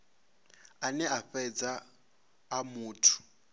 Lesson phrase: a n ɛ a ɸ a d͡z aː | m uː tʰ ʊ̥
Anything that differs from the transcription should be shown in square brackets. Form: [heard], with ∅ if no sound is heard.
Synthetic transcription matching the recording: a n ɛ a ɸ [ɛ] d͡z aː | m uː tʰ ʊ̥